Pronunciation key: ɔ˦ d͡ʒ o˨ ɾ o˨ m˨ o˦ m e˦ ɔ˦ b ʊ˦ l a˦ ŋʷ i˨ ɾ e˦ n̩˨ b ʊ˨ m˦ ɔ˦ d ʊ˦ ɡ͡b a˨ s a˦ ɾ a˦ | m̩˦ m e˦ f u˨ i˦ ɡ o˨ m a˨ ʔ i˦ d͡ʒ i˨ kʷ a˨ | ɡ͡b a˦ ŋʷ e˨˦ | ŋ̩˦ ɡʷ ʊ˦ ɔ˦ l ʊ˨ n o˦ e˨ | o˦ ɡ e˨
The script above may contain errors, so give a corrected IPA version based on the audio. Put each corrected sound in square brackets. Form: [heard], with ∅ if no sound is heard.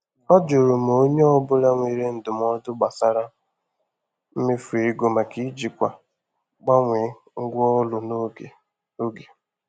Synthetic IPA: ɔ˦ d͡ʒ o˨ ɾ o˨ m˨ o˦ [ɲ] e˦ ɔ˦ b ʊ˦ l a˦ ŋʷ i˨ ɾ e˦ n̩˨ [d] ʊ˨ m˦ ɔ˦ d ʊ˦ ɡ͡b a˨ s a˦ ɾ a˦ | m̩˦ m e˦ f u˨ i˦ ɡ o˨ m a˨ [k] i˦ d͡ʒ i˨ kʷ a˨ | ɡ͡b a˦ ŋʷ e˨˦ | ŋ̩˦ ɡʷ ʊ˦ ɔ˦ l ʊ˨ n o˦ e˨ | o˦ ɡ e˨